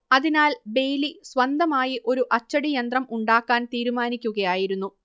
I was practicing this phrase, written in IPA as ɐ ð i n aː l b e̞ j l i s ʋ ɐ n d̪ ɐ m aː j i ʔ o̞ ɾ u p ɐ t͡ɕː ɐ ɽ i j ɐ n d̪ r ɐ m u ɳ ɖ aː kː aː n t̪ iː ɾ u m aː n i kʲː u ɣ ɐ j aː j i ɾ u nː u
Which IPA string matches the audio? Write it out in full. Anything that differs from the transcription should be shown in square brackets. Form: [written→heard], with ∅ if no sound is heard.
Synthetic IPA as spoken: ɐ ð i n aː l b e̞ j l i s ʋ ɐ n d̪ ɐ m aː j i ʔ o̞ ɾ u [p→ʔ] ɐ t͡ɕː ɐ ɽ i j ɐ n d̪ r ɐ m u ɳ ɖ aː kː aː n t̪ iː ɾ u m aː n i kʲː u ɣ ɐ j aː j i ɾ u nː u

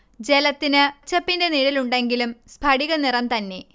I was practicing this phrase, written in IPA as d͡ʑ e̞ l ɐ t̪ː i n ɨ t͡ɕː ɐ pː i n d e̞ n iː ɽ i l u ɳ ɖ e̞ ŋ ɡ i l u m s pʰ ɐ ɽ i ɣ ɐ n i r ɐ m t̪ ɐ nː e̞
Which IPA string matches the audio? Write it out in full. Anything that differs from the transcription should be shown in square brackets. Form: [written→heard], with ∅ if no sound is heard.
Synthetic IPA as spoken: d͡ʑ e̞ l ɐ t̪ː i n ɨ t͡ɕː ɐ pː i n d e̞ n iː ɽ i l u ɳ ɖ e̞ ŋ ɡ i l u m s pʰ ɐ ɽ i ɣ ɐ n i r ɐ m t̪ ɐ nː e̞

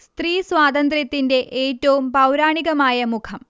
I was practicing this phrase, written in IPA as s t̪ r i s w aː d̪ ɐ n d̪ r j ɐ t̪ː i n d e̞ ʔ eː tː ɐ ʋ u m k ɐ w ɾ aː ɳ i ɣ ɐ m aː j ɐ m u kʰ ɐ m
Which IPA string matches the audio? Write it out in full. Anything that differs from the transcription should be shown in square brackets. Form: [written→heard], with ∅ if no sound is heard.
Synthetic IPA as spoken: s t̪ r [i→iː] s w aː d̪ ɐ n d̪ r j ɐ t̪ː i n d e̞ ʔ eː tː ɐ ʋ u m [k→p] ɐ w ɾ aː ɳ i ɣ ɐ m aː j ɐ m u kʰ ɐ m

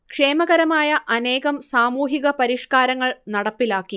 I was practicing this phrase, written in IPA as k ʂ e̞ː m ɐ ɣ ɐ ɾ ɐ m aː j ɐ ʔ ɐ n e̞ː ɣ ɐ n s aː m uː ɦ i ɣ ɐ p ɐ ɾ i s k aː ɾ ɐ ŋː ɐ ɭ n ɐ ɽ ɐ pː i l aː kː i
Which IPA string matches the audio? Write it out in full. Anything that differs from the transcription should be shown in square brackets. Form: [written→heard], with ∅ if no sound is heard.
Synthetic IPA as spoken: k ʂ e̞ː m ɐ ɣ ɐ ɾ ɐ m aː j ɐ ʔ ɐ n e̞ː ɣ ɐ [n→m] s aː m uː ɦ i ɣ ɐ p ɐ ɾ i [s→ʂ] k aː ɾ ɐ ŋː ɐ ɭ n ɐ ɽ ɐ pː i l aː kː i

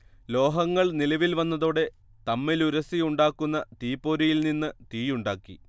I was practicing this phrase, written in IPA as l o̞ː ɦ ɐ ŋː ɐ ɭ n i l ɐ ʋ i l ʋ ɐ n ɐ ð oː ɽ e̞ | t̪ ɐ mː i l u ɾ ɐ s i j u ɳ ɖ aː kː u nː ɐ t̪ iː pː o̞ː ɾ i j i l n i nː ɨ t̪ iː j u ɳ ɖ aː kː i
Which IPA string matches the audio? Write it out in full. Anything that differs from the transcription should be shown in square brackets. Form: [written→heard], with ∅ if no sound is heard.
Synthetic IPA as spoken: l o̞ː ɦ ɐ ŋː ɐ ɭ n i l ɐ ʋ i l ʋ ɐ [n→nː] ɐ ð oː ɽ e̞ | t̪ ɐ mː i l u ɾ ɐ s i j u ɳ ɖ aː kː u nː ɐ t̪ iː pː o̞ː ɾ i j i l n i nː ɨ t̪ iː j u ɳ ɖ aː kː i

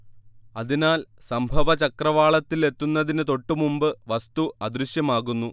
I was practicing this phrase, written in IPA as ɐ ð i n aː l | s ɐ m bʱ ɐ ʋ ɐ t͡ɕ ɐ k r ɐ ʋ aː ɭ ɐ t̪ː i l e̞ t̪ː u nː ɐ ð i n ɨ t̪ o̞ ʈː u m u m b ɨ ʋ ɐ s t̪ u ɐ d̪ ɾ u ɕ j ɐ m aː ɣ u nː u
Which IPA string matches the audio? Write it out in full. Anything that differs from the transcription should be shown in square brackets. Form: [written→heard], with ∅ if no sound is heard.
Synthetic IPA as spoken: ɐ ð i n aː l | s ɐ m bʱ ɐ ʋ ɐ t͡ɕ ɐ k r ɐ ʋ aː ɭ ɐ t̪ː i l e̞ t̪ː u nː ɐ ð i n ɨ t̪ o̞ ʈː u m u m b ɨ ʋ ɐ s t̪ u ɐ d̪ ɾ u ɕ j ɐ m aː ɣ u nː u

